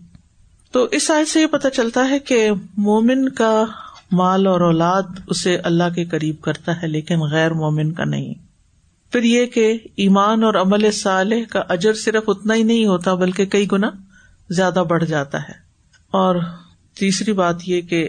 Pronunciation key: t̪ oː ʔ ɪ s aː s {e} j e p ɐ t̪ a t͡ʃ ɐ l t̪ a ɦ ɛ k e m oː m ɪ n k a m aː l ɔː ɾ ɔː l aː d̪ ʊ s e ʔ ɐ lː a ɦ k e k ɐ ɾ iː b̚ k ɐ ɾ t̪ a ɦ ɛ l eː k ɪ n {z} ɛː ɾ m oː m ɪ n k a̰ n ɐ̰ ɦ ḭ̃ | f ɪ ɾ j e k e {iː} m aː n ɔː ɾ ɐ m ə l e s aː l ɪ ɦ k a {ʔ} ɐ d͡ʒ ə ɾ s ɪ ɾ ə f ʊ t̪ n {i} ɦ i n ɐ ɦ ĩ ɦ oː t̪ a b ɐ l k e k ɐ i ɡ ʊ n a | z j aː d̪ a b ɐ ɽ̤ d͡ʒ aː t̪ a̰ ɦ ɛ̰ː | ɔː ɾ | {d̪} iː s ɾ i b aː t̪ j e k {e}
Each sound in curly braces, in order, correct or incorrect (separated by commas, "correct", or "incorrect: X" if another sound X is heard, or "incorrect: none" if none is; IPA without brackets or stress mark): correct, incorrect: ɣ, correct, correct, incorrect: a, incorrect: t̪, correct